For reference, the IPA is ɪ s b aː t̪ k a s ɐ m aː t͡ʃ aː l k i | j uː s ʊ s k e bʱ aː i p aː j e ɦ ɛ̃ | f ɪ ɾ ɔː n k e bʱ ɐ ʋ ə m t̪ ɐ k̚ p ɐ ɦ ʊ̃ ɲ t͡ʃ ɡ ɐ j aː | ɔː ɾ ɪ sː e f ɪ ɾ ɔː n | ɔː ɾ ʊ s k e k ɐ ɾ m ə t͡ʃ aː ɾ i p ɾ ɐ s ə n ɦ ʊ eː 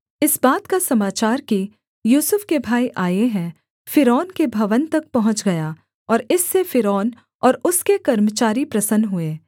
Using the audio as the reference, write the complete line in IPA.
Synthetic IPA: ɪ s b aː t̪ k a s ɐ m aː t͡ʃ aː ɾ k i | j uː s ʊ f k e bʱ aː i ʔ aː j e ɦ ɛ̃ | f ɪ ɾ ɔː n k e bʱ ɐ ʋ ə n t̪ ɐ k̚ p ɐ ɦ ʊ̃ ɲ t͡ʃ ɡ ɐ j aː | ɔː ɾ ɪ sː e f ɪ ɾ ɔː n | ɔː ɾ ʊ s k e k ɐ ɾ m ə t͡ʃ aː ɾ i p ɾ ɐ s ə n ɦ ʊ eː